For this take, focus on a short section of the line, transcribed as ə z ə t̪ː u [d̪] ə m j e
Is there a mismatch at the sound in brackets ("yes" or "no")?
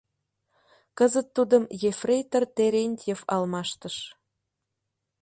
no